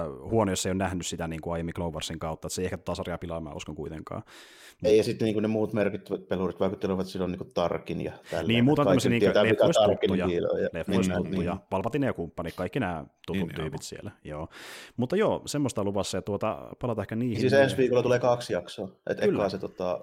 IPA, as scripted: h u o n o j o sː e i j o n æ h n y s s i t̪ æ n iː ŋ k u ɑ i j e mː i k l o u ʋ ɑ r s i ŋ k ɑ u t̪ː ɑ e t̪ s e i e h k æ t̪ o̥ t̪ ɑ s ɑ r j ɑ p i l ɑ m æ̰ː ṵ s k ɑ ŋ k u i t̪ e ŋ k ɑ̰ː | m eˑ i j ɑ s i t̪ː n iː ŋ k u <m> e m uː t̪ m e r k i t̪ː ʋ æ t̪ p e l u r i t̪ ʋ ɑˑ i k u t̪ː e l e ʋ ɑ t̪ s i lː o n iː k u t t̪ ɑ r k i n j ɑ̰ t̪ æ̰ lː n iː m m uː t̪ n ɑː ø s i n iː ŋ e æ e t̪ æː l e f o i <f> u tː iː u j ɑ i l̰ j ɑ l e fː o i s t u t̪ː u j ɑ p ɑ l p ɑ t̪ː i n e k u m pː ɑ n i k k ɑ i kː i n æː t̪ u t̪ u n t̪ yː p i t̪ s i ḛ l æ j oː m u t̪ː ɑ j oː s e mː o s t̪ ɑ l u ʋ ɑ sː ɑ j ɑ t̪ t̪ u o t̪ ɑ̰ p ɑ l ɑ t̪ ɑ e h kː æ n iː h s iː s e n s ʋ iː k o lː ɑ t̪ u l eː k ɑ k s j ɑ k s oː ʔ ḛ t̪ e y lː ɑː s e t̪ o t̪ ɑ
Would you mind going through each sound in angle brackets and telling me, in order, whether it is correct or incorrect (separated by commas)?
incorrect, incorrect